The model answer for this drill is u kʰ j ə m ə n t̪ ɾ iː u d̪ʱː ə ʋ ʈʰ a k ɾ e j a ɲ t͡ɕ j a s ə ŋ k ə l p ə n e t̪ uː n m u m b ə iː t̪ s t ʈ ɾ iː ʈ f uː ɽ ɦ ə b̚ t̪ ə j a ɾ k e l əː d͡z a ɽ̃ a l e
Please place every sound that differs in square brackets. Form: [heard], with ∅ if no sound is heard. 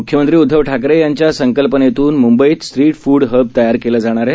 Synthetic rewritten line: u kʰ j ə m ə n t̪ ɾ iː u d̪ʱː ə ʋ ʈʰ a k ɾ e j a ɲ t͡ɕ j a s ə ŋ k ə l p ə n e t̪ uː n m u m b ə iː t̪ s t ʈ ɾ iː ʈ f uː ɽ ɦ ə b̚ t̪ ə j a ɾ k e l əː d͡z a ɽ̃ a [ɾ] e